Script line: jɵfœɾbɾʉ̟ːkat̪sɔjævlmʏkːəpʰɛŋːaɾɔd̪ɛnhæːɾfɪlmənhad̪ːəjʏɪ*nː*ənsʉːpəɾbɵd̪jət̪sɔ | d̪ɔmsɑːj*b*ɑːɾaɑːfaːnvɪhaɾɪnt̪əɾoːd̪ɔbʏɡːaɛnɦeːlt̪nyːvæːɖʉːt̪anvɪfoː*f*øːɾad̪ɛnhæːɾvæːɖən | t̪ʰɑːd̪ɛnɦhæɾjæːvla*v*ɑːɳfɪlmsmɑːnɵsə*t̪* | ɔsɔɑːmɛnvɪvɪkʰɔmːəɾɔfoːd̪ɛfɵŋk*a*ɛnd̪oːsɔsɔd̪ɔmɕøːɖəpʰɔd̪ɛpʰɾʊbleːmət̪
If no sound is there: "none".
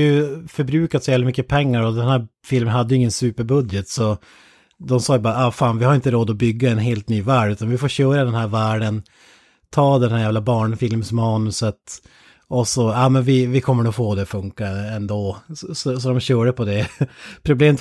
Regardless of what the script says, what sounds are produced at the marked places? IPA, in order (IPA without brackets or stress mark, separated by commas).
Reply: ŋː, b, ɕ, b, t̪, a